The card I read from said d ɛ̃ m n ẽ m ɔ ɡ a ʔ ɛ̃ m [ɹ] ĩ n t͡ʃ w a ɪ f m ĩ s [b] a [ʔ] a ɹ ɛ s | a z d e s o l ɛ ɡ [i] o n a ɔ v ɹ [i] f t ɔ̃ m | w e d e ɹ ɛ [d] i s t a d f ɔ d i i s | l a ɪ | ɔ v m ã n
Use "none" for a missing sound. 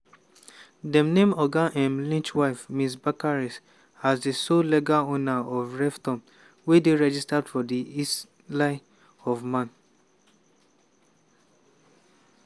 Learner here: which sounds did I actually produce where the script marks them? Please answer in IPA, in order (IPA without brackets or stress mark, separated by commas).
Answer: l, b, k, a, ɛ, d͡ʒ